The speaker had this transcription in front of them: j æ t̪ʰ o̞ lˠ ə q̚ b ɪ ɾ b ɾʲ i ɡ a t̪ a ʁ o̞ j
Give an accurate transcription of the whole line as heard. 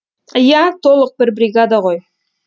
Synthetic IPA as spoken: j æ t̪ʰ o̞ lˠ ə q̚ b ɪ ɾ b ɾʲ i ɡ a d̪ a ʁ o̞ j